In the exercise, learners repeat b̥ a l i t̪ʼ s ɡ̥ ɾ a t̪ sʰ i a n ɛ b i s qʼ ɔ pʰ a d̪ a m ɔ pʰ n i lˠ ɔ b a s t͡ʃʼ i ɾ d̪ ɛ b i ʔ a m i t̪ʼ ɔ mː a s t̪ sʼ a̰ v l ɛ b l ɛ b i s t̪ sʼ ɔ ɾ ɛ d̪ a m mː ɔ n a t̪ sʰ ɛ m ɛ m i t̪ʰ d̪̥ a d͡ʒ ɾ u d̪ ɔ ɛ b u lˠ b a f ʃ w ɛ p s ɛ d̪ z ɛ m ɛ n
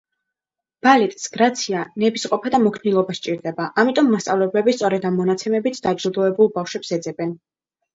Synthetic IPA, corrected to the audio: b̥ a l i t̪ʼ s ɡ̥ ɾ a t̪ sʰ i a n ɛ b i s qʼ ɔ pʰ a d̪ a m ɔ kʰ n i lˠ ɔ b a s t͡ʃʼ i ɾ d̪ ɛ b a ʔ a m i t̪ʼ ɔ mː a s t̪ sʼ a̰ v l ɛ b l ɛ b i s t̪ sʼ ɔ ɾ ɛ d̪ a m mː ɔ n a t̪ sʰ ɛ m ɛ b i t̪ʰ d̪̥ a d͡ʒ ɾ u d̪ ɔ ɛ b u lˠ b a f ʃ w ɛ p s ɛ d̪ z ɛ b ɛ n